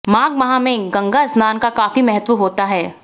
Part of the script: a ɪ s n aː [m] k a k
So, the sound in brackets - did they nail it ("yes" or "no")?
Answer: no